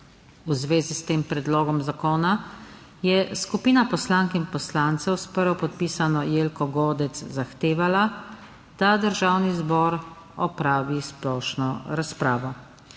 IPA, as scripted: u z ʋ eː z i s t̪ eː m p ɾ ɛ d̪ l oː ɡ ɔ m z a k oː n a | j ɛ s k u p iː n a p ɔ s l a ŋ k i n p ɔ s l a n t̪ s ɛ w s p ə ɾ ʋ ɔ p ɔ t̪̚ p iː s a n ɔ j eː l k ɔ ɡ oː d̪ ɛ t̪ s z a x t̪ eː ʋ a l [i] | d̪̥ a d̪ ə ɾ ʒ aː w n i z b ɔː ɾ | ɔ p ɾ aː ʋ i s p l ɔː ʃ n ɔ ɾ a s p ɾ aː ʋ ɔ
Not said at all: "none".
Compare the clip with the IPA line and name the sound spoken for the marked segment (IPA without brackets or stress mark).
a